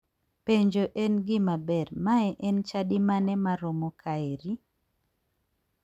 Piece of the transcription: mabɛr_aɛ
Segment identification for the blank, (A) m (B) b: A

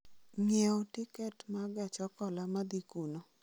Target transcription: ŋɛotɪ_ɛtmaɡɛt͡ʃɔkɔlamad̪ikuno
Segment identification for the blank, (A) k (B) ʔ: A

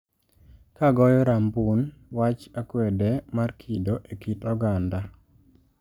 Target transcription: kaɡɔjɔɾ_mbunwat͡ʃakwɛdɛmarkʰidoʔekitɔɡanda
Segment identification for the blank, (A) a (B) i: A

